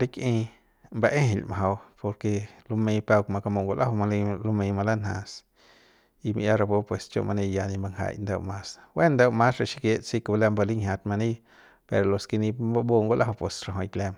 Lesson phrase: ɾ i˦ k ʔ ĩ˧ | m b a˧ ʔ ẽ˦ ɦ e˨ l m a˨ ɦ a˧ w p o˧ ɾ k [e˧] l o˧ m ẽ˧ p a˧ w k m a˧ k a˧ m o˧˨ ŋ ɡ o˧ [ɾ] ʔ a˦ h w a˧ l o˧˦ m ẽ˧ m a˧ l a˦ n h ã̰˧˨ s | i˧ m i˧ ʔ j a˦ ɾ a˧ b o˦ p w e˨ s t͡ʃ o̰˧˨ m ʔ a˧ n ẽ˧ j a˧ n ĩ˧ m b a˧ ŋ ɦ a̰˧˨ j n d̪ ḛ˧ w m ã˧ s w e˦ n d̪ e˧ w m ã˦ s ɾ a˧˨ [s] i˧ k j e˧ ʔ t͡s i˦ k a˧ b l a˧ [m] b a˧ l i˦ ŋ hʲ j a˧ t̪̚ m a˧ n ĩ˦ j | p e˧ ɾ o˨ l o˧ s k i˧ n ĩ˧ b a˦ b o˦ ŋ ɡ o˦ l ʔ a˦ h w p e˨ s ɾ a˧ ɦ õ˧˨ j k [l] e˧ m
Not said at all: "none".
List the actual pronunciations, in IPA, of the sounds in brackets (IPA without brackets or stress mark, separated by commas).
e˧, l, ʃ, m, l